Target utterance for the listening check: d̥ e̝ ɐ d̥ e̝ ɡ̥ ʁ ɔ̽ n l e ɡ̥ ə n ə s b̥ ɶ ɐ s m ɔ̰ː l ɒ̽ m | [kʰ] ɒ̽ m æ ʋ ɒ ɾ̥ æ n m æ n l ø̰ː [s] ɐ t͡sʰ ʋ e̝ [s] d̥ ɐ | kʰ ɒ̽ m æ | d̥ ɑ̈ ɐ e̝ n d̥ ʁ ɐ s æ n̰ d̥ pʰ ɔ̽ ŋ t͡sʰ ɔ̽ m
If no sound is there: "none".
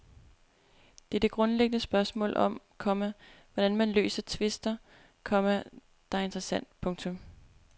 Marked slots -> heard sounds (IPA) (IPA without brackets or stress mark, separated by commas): kʰ, s, s